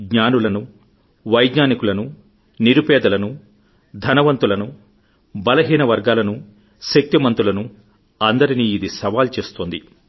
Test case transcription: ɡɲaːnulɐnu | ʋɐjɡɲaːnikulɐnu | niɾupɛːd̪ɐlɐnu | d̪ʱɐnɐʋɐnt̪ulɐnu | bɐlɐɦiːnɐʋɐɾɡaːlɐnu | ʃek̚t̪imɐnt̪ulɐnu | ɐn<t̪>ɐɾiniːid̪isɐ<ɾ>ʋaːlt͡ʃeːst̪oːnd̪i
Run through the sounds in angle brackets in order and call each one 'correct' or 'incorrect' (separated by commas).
incorrect, incorrect